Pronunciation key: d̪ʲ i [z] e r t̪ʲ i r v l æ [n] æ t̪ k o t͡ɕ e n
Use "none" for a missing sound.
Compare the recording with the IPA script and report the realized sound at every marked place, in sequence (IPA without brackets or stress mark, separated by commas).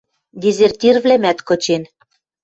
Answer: z, m